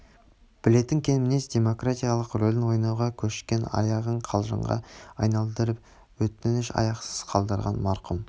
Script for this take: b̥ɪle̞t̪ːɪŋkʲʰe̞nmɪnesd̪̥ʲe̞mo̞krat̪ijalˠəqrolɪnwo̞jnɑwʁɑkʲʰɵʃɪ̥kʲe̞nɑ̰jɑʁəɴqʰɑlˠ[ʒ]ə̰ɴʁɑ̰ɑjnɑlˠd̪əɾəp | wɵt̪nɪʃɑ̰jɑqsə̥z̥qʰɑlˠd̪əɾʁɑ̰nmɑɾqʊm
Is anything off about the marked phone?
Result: no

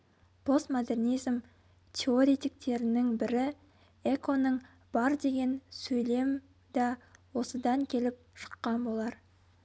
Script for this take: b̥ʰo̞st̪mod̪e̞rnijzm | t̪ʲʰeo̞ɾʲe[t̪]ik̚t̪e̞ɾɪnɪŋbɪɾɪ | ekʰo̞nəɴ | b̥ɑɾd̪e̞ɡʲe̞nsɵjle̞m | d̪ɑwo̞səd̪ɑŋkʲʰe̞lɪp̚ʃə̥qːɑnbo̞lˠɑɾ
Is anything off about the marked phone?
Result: no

